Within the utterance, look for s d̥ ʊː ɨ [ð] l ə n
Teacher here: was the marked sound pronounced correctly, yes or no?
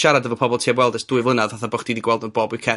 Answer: no